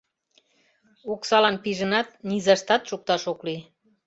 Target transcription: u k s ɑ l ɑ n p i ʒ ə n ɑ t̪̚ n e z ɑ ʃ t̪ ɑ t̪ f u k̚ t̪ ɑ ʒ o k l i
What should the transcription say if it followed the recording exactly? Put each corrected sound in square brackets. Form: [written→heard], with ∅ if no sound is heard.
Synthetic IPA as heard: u k s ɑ l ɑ n p i ʒ ə n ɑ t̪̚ n [e→i] z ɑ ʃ t̪ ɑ t̪ [f→ʃ] u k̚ t̪ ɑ [ʒ→ʃ] o k l i